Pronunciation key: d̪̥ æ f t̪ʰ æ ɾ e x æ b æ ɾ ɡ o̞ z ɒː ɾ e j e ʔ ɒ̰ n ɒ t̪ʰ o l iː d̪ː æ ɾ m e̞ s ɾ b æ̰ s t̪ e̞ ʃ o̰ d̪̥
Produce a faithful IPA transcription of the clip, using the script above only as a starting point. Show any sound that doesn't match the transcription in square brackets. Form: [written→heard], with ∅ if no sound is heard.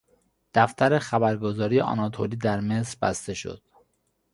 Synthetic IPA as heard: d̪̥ æ f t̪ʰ æ ɾ e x æ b æ ɾ ɡ o̞ z ɒː ɾ [e→i] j e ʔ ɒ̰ n ɒ t̪ʰ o l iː [d̪ː→d̪] æ ɾ m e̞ s ɾ b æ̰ s t̪ e̞ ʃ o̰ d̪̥